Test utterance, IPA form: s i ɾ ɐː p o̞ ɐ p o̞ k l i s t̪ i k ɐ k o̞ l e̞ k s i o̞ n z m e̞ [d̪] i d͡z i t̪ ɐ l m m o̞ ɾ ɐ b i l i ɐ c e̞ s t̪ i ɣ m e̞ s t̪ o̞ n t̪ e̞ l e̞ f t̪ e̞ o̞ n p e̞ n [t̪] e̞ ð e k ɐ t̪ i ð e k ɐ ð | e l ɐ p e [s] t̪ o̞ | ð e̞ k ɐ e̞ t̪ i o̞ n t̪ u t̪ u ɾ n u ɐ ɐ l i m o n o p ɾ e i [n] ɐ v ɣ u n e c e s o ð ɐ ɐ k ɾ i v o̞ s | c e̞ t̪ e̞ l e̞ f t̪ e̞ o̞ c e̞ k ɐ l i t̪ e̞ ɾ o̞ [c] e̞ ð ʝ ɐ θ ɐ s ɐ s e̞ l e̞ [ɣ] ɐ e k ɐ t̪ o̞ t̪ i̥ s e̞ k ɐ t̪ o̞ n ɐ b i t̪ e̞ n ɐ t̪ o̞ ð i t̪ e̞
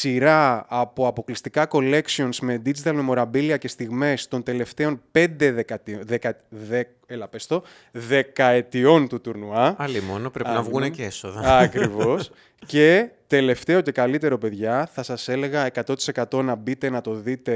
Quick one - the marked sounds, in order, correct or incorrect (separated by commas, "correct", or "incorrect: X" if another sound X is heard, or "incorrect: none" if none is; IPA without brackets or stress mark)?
correct, incorrect: d̪, correct, correct, incorrect: p, correct